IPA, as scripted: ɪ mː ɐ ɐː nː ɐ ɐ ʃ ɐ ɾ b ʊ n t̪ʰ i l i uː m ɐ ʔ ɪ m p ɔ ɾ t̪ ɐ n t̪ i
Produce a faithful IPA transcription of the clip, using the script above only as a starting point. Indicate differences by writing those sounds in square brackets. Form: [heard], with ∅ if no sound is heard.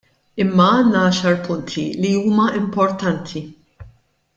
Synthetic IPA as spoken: ɪ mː ɐ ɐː nː ɐ ɐ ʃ ɐ ɾ [p] ʊ n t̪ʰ i l i uː m ɐ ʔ ɪ m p ɔ ɾ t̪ ɐ n [t̪ʰ] i